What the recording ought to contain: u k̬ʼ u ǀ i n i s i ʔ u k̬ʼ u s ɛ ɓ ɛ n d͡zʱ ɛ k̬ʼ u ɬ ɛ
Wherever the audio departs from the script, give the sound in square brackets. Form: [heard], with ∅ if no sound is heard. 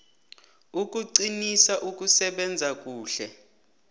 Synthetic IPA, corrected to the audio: u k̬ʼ u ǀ i n i s [a] ʔ u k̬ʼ u s ɛ ɓ ɛ n d͡zʱ [a] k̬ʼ [uː] ɬ ɛ